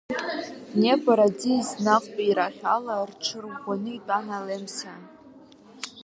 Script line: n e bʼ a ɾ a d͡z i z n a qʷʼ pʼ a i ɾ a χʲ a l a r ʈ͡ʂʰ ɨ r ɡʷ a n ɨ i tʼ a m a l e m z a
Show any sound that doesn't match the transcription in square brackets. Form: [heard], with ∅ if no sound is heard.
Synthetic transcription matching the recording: n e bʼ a ɾ a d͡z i z n a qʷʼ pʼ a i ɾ a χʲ a l a r ʈ͡ʂʰ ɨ r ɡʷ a n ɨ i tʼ a [n] a l e m [s] a